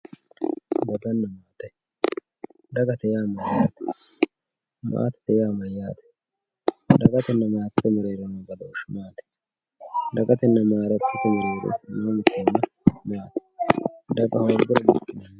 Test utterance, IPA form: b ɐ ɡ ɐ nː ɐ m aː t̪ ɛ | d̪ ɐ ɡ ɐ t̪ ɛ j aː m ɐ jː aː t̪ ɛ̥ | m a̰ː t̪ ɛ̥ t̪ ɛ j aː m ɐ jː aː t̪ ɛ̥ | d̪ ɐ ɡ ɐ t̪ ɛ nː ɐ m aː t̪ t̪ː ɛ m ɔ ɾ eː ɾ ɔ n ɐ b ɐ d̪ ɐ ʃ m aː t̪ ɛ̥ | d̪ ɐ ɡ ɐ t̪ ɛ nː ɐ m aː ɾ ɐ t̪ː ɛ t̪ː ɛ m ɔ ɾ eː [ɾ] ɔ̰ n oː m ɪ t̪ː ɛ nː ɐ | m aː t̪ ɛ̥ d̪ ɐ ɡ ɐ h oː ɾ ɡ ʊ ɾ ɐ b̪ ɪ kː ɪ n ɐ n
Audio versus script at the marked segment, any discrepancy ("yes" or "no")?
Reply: no